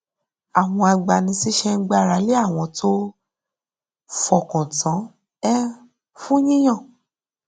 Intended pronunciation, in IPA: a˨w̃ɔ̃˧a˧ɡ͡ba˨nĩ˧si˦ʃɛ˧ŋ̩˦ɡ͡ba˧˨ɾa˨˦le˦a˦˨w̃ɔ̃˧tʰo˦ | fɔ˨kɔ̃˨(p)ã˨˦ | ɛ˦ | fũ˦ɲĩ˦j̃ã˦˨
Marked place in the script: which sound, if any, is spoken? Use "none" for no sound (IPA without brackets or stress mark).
t